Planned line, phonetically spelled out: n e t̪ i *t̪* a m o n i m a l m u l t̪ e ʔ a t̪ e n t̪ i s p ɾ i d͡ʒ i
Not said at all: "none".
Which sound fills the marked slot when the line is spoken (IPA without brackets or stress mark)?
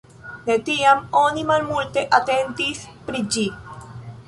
none